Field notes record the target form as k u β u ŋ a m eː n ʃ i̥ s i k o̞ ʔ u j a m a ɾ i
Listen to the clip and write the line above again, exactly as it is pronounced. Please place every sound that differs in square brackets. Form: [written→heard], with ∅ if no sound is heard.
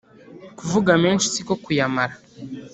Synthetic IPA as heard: k u [β→v] u [ŋ→ɡ] a m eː n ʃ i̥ s i k o̞ [ʔ→k] u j a m a ɾ [i→a]